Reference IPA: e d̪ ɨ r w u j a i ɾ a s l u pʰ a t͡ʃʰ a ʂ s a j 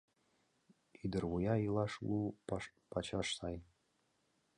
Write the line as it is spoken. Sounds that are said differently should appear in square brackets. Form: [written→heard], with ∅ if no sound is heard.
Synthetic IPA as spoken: [e→i] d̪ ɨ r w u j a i [ɾ→l] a [s→ʂ] l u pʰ a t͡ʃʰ a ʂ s a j